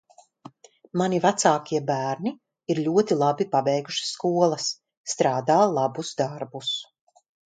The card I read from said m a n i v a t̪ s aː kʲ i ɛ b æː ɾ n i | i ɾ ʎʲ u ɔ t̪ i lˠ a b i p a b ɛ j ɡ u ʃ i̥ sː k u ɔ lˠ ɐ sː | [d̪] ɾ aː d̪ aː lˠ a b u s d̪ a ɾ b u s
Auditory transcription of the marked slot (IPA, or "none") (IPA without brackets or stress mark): t̪